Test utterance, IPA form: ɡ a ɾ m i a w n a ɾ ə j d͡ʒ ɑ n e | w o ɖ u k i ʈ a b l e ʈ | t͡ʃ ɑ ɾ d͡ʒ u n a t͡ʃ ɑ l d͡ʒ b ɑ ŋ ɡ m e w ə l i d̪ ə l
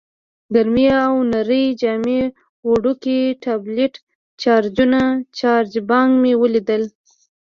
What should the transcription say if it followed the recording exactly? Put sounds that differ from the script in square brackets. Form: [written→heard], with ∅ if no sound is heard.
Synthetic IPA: ɡ a ɾ m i a w n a ɾ ə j d͡ʒ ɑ [n→m] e | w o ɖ u k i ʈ a b l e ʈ | t͡ʃ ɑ ɾ d͡ʒ u n a t͡ʃ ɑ [l→ɾ] d͡ʒ b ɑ ŋ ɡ m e w ə l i d̪ ə l

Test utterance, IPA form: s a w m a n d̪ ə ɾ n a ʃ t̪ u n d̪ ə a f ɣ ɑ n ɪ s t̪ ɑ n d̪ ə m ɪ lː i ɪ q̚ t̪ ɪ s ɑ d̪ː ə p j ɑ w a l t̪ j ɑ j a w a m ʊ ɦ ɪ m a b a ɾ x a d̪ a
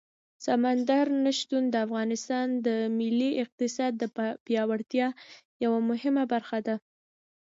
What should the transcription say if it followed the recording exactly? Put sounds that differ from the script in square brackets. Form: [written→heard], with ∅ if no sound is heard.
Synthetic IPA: s a [w→∅] m a n d̪ [ə→a] ɾ n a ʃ t̪ u n d̪ ə a f ɣ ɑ n ɪ s t̪ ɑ n d̪ ə m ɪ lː i ɪ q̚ t̪ ɪ s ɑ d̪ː ə p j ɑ w a [l→ɽ] t̪ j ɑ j a w a m ʊ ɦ ɪ m a b a ɾ x a d̪ a

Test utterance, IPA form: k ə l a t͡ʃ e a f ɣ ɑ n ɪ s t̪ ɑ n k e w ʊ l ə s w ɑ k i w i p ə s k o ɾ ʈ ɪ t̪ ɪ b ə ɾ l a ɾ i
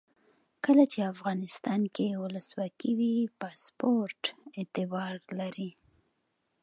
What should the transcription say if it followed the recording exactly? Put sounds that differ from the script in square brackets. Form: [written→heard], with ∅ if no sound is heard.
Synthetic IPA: k ə l a t͡ʃ e a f ɣ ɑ n ɪ s t̪ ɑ n k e w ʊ l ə s w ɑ k i w i p [ə→ɑ] s [k→p] o ɾ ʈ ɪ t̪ ɪ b [ə→ɑ] ɾ l a ɾ i

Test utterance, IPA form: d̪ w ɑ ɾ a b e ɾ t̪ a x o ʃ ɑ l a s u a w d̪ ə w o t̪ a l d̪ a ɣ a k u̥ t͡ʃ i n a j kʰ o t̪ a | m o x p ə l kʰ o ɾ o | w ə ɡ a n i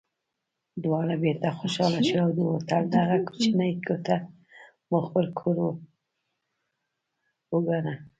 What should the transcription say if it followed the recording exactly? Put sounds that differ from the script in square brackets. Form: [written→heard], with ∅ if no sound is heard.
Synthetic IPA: d̪ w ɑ ɾ a b e ɾ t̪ a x o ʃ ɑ l a [s→ʃ] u a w d̪ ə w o t̪ a l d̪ a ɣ a k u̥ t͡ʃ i n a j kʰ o t̪ a | m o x p ə l kʰ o ɾ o | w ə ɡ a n [i→a]

